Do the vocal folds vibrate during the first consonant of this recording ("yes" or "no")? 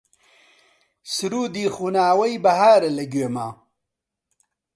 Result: no